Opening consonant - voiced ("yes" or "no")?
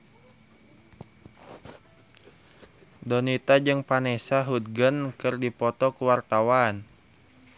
yes